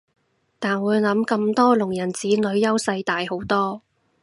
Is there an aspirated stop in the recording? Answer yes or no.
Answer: no